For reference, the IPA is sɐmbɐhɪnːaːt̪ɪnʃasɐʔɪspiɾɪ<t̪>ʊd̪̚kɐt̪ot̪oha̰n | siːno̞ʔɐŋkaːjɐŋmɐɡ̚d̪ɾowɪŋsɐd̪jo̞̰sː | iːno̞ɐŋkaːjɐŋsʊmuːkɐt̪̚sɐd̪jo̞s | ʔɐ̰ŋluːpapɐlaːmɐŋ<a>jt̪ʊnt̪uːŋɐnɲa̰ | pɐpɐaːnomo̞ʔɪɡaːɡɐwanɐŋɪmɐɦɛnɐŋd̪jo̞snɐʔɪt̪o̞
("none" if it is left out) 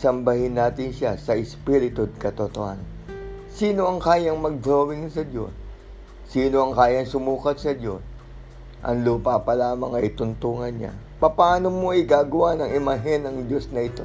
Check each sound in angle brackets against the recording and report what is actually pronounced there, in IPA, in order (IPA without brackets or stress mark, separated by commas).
t̪, ɐ